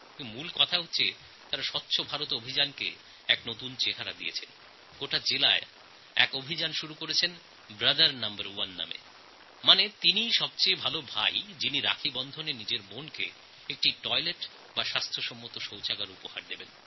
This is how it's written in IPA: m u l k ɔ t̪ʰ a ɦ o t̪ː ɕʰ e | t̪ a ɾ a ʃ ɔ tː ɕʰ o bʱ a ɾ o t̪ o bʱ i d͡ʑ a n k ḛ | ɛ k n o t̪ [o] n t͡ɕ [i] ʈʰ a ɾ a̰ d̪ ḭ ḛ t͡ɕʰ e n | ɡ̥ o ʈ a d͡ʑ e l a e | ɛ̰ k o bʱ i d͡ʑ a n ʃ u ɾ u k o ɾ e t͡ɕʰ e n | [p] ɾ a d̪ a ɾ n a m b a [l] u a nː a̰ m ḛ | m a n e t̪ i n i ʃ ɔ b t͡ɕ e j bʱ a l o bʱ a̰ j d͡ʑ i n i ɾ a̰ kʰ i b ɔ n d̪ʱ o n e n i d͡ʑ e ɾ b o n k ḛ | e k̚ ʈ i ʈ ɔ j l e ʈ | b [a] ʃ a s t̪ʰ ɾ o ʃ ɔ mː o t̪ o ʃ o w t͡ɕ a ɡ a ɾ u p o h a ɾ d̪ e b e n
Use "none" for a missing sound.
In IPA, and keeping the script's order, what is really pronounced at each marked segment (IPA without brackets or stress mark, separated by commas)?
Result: u, e, b, ɾ, a